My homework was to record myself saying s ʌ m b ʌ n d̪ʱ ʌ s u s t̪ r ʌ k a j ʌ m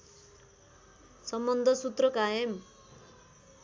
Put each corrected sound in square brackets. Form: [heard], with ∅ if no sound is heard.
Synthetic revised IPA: s ʌ m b ʌ n d̪ʱ ʌ s u [∅] t̪ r ʌ k a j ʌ m

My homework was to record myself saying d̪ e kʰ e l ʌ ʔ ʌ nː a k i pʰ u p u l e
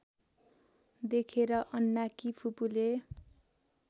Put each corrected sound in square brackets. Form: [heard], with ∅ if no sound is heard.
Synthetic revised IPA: d̪ e kʰ e [ɾ] ʌ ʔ ʌ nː a k i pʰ u p u l e

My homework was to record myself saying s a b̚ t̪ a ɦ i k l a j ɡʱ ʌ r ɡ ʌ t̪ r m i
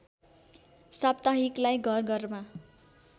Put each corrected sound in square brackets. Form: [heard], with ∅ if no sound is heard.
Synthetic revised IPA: s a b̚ t̪ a ɦ i k l a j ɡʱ ʌ r ɡ ʌ [∅] r m [a]

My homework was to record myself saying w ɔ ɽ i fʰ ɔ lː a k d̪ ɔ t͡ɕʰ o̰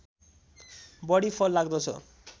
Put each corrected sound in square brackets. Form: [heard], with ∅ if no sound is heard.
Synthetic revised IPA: [b] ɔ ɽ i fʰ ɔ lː a [ɡ] d̪ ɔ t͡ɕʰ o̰

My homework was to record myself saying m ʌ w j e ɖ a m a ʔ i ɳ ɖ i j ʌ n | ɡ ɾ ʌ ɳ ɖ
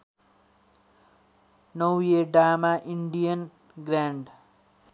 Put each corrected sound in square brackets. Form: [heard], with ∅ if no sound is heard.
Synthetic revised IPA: [n] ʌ w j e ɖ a m a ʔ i ɳ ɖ i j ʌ n | ɡ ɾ [a] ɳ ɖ

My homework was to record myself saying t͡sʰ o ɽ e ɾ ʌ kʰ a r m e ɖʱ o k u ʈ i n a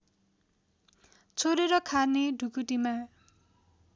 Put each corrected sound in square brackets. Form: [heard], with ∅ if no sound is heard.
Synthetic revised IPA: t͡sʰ o [ɾ] e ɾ ʌ kʰ a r [n] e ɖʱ [u] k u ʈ i [m] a

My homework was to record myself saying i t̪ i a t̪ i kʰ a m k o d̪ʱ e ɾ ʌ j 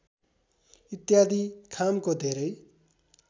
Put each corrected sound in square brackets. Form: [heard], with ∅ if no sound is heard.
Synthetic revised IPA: i t̪ [j] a [d̪] i kʰ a m k o d̪ʱ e ɾ ʌ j

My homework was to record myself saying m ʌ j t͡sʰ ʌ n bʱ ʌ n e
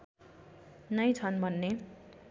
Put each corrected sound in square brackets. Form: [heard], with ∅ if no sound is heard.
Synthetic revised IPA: [n] ʌ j t͡sʰ ʌ n bʱ ʌ [nː] e

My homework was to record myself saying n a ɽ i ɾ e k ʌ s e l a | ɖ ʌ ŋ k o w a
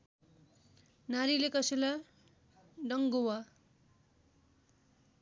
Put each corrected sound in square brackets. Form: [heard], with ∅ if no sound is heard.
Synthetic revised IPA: n a [ɾ] i [l] e k ʌ s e l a | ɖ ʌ ŋ [ɡ] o w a

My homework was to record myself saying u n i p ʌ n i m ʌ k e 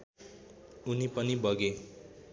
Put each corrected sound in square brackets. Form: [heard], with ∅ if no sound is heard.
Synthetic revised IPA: u n i p ʌ n i [b] ʌ [ɡ] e

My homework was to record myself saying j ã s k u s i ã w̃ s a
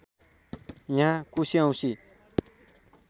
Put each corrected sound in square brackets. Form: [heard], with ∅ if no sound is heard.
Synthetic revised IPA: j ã [∅] k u s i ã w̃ s [i]

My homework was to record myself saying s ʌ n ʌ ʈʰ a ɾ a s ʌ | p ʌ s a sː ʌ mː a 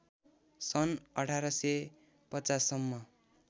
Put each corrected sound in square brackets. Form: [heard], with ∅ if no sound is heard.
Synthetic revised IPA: s ʌ n ʌ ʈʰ a ɾ [ʌ] s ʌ | p ʌ [t͡s] a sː ʌ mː [ʌ]

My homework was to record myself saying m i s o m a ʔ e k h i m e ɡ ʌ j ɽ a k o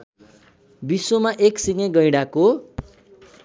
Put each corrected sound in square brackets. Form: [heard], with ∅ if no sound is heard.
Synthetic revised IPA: [b] i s o m a ʔ e k [s] i [ŋ] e ɡ ʌ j ɽ a k o

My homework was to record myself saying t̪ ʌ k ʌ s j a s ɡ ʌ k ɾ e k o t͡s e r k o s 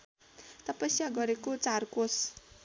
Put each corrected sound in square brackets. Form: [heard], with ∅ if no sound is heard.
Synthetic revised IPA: t̪ ʌ [p] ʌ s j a [∅] ɡ ʌ [∅] ɾ e k o t͡s [a] r k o s

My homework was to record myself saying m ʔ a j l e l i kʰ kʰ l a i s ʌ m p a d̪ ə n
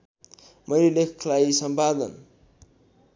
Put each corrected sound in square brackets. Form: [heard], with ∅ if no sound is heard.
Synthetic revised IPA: m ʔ [ʌ] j l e l [e] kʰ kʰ l a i s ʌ m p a d̪ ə n

